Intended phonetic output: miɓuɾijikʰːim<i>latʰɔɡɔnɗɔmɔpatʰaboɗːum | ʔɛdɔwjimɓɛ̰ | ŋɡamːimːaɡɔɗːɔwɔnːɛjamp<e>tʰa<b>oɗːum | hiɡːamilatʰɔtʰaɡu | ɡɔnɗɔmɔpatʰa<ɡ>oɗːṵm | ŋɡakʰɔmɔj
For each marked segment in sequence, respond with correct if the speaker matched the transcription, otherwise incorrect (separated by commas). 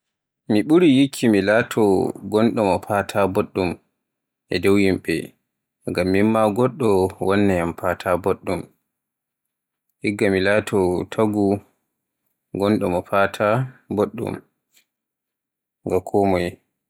correct, incorrect, correct, incorrect